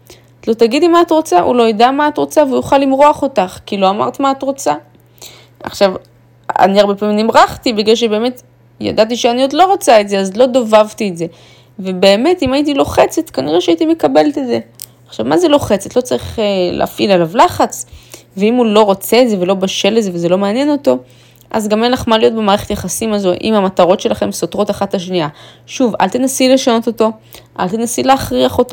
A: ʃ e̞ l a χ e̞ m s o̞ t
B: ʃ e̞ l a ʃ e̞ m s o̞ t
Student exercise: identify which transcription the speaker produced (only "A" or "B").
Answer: A